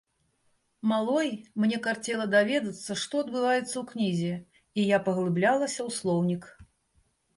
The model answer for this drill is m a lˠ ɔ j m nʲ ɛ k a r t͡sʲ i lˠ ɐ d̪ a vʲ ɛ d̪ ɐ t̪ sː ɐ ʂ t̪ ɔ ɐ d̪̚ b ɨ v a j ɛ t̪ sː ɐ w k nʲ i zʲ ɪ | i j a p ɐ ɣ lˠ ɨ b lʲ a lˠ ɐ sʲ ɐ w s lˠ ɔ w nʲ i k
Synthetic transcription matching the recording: m a lˠ ɔ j m nʲ ɛ k a r t͡sʲ ɛ lˠ ɐ d̪ a vʲ ɛ d̪ ɐ t̪ sː ɐ ʂ t̪ ɔ ɐ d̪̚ b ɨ v a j ɛ t̪ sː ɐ w k nʲ i zʲ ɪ | i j a p ɐ ɣ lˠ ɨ b lʲ a lˠ ɐ sʲ ɐ w s lˠ ɔ w nʲ i k